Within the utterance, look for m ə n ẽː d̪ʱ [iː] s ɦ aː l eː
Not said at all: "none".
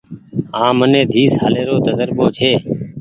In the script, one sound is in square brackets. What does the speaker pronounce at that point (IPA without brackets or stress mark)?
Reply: iː